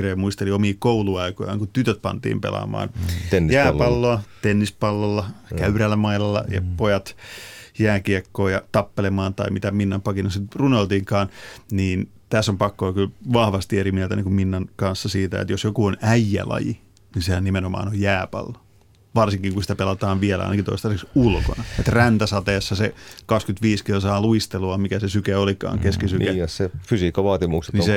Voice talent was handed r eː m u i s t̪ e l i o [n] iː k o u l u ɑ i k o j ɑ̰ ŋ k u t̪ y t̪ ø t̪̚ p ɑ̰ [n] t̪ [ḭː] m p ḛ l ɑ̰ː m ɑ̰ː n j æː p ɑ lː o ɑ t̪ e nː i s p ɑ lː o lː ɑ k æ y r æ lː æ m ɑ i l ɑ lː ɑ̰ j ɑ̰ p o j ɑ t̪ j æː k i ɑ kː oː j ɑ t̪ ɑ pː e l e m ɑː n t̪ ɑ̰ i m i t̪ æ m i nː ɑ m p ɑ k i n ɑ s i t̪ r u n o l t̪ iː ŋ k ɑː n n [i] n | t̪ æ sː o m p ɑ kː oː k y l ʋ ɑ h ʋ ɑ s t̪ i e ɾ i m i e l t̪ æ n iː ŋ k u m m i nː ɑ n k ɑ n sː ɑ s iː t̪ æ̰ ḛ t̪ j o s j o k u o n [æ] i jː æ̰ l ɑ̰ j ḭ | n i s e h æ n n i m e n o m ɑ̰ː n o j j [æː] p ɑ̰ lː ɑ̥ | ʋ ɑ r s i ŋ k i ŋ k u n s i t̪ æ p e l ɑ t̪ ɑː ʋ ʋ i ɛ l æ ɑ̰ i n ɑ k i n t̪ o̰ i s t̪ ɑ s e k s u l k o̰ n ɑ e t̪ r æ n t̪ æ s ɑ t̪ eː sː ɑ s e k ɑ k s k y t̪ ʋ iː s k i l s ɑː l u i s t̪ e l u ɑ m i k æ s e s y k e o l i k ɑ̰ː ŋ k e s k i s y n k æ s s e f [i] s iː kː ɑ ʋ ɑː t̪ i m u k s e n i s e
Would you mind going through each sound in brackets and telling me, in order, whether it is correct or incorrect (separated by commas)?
incorrect, correct, correct, incorrect, correct, correct, incorrect